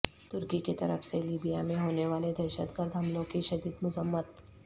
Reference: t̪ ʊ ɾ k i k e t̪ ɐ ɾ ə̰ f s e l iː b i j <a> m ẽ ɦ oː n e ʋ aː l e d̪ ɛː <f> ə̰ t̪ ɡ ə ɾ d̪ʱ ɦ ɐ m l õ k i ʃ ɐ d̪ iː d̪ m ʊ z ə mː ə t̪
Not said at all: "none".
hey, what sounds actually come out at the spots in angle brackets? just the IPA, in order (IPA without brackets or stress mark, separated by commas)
a, ʃ